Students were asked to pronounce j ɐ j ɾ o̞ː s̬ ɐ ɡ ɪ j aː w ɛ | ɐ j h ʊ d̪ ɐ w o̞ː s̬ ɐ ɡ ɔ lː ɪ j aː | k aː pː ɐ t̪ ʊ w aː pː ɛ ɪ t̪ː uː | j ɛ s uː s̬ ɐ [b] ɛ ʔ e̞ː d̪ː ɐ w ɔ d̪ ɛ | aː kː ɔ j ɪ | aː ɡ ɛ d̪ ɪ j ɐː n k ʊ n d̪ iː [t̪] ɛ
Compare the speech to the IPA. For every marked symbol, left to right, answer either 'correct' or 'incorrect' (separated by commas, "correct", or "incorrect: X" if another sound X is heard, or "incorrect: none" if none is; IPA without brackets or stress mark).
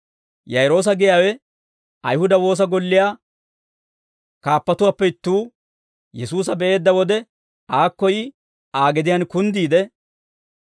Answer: correct, incorrect: d̪